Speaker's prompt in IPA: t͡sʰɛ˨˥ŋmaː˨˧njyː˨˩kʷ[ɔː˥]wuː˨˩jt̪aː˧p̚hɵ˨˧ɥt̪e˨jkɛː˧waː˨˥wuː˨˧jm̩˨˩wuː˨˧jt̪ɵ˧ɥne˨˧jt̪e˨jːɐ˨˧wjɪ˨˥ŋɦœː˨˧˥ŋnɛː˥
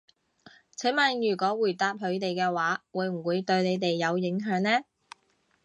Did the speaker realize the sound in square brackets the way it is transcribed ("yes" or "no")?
no